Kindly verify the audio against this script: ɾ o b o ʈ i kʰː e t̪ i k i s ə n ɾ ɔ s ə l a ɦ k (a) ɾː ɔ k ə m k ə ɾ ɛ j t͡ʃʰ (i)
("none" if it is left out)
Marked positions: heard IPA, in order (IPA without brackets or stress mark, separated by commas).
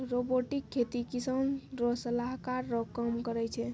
a, ɛ